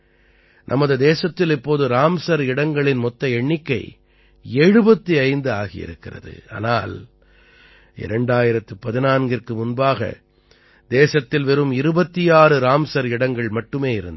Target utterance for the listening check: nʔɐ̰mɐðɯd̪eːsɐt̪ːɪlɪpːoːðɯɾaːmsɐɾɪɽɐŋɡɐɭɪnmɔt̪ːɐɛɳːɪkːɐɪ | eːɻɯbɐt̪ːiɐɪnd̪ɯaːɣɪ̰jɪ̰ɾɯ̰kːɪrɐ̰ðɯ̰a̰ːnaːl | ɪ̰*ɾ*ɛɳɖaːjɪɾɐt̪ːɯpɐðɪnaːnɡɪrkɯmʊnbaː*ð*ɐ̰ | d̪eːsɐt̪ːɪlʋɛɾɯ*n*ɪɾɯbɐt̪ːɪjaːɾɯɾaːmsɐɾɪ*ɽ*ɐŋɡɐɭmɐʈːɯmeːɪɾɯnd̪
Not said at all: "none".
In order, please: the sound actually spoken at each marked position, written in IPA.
ɾ, ɣ, m, ɽ

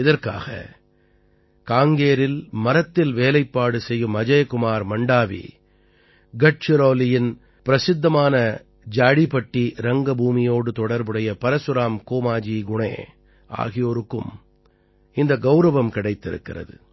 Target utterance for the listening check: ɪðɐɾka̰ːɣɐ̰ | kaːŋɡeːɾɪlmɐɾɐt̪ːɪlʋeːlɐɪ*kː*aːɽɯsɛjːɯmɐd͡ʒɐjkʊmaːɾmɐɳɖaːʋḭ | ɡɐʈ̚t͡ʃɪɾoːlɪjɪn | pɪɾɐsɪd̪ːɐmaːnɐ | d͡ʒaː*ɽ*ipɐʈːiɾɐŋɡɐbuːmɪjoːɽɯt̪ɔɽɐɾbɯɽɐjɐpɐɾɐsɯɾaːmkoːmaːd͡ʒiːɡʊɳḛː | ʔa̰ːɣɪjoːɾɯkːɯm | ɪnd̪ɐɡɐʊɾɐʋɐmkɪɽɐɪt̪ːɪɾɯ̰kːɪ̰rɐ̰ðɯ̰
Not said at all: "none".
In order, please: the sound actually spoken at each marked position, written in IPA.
pː, ɽ

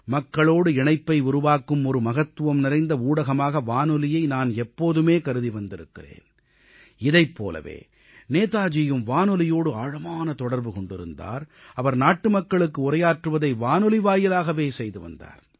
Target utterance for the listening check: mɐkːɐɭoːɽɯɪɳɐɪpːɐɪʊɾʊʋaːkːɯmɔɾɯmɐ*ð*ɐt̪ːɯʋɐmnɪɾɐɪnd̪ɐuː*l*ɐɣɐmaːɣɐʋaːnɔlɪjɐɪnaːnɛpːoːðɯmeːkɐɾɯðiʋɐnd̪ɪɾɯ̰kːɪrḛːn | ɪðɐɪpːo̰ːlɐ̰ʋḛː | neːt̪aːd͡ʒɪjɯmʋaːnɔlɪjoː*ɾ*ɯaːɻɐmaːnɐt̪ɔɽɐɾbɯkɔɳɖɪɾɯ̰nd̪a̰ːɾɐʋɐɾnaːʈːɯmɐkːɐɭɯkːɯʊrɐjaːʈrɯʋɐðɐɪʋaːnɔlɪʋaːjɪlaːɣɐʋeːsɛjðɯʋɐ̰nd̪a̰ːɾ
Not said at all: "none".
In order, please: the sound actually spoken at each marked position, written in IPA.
ɣ, ɽ, ɽ

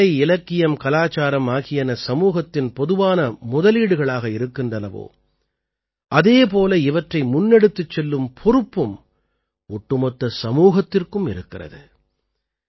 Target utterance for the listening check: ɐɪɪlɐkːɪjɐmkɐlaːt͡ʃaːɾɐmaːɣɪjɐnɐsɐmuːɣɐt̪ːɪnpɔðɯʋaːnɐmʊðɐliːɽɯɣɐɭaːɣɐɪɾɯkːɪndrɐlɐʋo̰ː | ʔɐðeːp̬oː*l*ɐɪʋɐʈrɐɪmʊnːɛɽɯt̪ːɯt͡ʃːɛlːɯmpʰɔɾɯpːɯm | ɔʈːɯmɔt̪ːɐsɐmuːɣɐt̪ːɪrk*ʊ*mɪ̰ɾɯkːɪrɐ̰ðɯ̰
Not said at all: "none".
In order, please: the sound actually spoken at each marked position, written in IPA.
l, ɯ

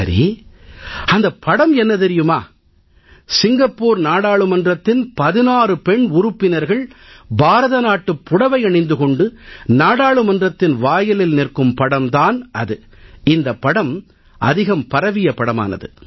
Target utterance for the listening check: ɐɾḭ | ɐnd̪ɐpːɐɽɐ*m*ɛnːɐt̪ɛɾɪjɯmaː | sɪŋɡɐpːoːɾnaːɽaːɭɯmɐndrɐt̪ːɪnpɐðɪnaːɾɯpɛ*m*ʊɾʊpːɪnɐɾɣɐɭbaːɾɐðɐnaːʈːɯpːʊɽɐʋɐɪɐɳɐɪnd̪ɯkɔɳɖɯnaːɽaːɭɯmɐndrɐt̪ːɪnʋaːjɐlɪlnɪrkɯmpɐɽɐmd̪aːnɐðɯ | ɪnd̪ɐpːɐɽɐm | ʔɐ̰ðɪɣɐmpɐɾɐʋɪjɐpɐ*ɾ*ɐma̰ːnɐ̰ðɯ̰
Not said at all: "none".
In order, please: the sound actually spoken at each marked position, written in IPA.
m, ɳ, ɽ

